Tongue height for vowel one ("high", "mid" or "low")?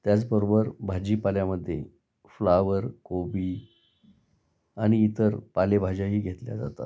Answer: low